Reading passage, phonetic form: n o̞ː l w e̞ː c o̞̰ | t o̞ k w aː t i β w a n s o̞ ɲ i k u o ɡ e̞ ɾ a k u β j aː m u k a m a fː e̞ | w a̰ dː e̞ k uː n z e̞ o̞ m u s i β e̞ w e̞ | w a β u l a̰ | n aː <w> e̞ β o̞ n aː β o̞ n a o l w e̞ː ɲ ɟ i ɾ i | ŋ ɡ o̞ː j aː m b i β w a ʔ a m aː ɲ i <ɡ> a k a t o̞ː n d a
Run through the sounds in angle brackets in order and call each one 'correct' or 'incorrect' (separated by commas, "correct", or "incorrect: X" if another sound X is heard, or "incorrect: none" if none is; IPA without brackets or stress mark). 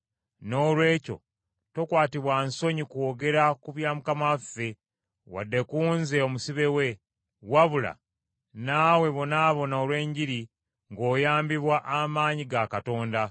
correct, correct